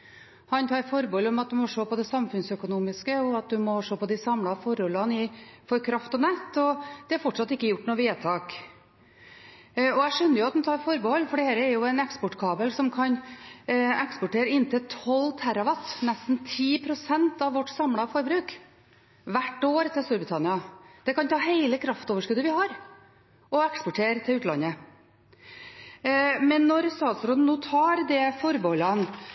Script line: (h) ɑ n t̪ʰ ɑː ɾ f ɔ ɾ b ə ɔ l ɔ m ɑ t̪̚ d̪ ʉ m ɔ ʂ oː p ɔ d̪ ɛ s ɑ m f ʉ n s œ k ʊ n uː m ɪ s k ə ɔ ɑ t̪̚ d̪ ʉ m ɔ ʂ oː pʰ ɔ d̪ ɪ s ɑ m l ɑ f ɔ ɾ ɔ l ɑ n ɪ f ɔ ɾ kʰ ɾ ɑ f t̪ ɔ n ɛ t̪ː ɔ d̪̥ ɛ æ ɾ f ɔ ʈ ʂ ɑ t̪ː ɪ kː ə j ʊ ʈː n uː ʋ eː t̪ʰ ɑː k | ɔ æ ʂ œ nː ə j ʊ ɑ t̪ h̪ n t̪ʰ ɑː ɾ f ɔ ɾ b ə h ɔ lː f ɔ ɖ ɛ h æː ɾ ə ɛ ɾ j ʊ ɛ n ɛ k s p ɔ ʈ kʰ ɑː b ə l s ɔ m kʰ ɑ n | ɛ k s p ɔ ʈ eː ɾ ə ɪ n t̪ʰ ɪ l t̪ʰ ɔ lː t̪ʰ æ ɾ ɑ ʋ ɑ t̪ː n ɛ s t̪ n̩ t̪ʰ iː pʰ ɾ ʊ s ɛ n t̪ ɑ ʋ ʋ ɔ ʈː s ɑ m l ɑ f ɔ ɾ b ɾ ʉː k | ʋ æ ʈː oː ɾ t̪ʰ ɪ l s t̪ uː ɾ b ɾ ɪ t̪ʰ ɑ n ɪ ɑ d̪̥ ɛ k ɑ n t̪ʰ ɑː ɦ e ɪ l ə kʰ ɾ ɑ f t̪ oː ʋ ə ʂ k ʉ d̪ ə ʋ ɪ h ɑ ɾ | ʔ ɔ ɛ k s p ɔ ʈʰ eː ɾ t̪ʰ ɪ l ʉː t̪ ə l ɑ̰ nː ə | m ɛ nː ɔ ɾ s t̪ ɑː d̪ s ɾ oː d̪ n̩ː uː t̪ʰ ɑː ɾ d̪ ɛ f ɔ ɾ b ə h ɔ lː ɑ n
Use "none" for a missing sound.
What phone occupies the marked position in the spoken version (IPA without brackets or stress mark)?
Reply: h